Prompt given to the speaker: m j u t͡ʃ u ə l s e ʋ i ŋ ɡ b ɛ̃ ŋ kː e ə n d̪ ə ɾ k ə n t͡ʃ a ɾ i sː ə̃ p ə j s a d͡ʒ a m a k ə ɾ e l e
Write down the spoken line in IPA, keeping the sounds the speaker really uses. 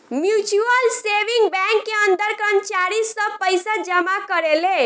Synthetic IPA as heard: m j u t͡ʃ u ə l s e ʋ i ŋ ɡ b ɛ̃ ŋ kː e ə n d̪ ə ɾ k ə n t͡ʃ a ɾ i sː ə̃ p ə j s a d͡ʒ ə m a k ə ɾ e l e